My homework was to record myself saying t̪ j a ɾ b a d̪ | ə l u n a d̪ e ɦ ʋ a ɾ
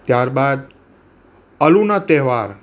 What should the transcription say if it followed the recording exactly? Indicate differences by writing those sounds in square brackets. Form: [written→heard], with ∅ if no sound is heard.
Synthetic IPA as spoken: t̪ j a ɾ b a d̪ | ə l u n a [d̪→t̪] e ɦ ʋ a ɾ